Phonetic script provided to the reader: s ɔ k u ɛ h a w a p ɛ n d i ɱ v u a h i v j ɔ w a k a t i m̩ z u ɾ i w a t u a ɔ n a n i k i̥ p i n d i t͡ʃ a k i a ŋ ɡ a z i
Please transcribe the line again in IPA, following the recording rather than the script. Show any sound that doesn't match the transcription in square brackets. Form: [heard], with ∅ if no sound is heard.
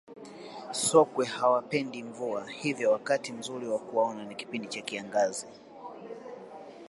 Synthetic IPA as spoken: s ɔ k [w] ɛ h a w a p ɛ n d i ɱ v u a h i v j ɔ w a k a t i m̩ z u ɾ i w a [k] u a ɔ n a n i k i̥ p i n d i t͡ʃ a k i a ŋ ɡ a z i

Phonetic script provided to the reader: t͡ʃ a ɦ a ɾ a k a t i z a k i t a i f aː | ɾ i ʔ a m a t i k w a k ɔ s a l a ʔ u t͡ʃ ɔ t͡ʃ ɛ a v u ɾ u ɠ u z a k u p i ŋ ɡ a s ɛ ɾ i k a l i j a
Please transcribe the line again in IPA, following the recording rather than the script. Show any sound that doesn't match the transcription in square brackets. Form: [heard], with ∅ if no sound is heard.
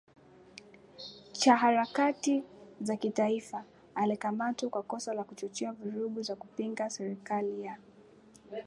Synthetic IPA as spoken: t͡ʃ a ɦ a ɾ a k a t i z a k i t a i f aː | [l] i [k] a m a t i k w a k ɔ s a l a [k] u t͡ʃ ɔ t͡ʃ ɛ a v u ɾ u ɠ u z a k u p i ŋ ɡ a s ɛ ɾ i k a l i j a

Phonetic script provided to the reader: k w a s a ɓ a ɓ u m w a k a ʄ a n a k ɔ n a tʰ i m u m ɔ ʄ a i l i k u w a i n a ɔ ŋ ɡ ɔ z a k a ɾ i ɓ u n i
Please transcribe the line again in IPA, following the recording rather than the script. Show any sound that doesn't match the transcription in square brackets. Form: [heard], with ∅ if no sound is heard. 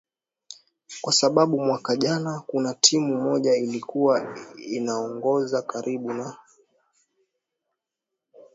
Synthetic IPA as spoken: k w a s a ɓ a ɓ u m w a k a ʄ a n a k [u] n a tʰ i m u m ɔ ʄ a i l i k u w a i n a ɔ ŋ ɡ ɔ z a k a ɾ i ɓ u n [a]

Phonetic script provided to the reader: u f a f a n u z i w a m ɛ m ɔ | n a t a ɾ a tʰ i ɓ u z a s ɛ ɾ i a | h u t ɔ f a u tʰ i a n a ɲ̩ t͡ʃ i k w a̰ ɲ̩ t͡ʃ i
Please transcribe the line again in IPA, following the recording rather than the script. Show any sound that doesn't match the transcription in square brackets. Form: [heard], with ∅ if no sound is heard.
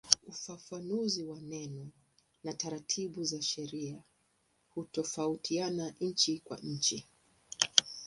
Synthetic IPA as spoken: u f a f a n u z i w a [n] ɛ [n] ɔ | n a t a ɾ a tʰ i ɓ u z a [ʃ] ɛ ɾ i a | h u t ɔ f a u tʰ i a n a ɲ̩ t͡ʃ i k w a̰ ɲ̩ t͡ʃ i

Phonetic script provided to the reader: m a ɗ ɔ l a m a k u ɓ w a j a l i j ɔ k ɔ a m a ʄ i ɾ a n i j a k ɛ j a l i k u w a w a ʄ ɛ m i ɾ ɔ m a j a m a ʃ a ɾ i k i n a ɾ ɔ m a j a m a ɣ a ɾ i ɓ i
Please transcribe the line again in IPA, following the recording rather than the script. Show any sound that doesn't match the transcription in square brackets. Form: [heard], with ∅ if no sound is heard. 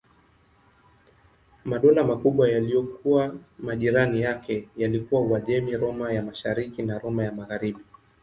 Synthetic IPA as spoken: m a ɗ ɔ l a m a k u ɓ w a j a l i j ɔ k [u] a m a ʄ i ɾ a n i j a k ɛ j a l i k u w a w a ʄ ɛ m i ɾ ɔ m a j a m a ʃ a ɾ i k i n a ɾ ɔ m a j a m a ɣ a ɾ i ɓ i

